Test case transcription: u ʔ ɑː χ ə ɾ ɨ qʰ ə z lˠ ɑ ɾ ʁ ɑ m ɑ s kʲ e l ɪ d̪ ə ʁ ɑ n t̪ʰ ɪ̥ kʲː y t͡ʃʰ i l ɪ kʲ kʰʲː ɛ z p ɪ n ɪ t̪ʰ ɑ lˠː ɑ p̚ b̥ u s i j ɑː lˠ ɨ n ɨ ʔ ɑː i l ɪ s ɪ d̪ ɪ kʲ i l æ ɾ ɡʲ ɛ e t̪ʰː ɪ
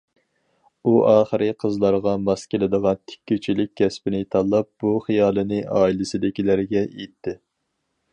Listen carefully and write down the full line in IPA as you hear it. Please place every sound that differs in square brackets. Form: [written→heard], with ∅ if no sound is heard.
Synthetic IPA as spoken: u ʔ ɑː χ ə ɾ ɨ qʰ ə z lˠ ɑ ɾ ʁ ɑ m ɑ s kʲ e l ɪ d̪ ə ʁ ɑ n t̪ʰ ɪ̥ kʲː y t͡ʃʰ i l ɪ kʲ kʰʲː ɛ [z→s] p ɪ n ɪ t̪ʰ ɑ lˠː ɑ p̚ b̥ u [s→χ] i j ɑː lˠ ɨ n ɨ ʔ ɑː i l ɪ s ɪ d̪ ɪ kʲ i l æ ɾ ɡʲ ɛ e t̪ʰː ɪ